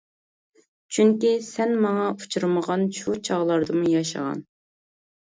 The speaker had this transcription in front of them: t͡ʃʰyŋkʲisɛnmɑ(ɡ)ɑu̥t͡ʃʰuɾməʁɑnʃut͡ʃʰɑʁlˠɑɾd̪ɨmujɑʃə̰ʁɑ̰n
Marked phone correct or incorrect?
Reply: incorrect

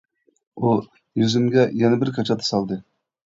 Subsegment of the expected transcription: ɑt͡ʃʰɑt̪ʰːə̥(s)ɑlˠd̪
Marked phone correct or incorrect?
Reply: correct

